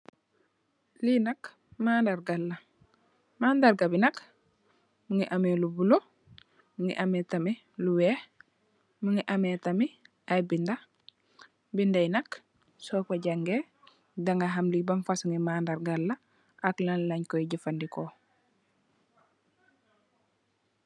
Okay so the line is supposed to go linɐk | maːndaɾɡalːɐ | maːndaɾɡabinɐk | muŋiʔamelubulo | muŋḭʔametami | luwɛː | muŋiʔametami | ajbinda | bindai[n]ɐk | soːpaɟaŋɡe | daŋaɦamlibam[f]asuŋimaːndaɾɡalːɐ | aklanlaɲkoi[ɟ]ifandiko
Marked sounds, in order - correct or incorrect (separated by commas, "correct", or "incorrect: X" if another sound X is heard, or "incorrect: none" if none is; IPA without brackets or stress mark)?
correct, correct, correct